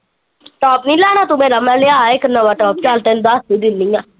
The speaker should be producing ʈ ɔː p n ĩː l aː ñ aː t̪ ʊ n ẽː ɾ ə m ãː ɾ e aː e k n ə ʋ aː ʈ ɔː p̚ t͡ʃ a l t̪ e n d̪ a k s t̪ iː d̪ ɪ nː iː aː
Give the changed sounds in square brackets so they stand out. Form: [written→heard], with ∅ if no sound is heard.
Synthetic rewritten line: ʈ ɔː p n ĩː l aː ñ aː t̪ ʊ [n→m] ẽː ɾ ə m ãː [ɾ→l] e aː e k n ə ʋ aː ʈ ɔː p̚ t͡ʃ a l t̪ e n d̪ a [k→∅] s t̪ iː d̪ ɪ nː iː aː